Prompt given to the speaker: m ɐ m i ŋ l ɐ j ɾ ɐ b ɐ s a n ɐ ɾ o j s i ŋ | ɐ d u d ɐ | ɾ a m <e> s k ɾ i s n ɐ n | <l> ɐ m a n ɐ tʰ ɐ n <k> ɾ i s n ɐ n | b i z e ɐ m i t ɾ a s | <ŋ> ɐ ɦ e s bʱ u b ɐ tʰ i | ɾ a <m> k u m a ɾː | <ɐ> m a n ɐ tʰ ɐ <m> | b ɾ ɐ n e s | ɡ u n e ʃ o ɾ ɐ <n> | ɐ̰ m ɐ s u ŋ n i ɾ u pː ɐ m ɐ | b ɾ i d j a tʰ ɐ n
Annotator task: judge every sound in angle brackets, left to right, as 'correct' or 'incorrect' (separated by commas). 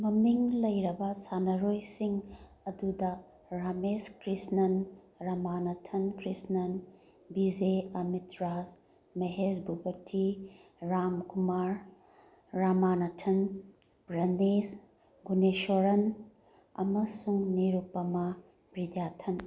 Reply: correct, incorrect, correct, incorrect, correct, incorrect, incorrect, correct